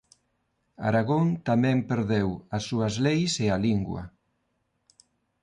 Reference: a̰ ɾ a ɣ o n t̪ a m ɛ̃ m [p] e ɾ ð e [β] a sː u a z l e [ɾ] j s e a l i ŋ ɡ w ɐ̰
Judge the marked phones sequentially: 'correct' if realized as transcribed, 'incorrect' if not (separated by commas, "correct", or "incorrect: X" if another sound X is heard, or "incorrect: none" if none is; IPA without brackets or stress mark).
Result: correct, incorrect: w, incorrect: none